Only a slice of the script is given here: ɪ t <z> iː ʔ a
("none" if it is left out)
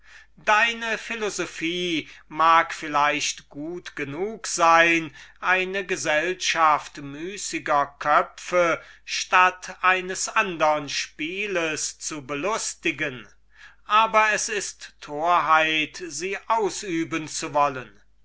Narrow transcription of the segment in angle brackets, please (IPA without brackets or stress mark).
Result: z